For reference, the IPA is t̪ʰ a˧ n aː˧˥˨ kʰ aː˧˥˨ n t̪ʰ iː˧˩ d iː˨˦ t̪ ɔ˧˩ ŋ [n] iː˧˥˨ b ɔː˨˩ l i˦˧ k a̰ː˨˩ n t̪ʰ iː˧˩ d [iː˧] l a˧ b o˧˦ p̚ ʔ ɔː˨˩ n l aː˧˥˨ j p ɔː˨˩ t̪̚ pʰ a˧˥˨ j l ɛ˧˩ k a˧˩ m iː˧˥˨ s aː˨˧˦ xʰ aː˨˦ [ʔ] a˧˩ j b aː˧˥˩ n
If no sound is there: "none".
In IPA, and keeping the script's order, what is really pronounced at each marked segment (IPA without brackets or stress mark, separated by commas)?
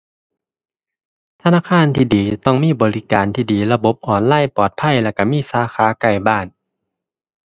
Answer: m, iː˨˩, k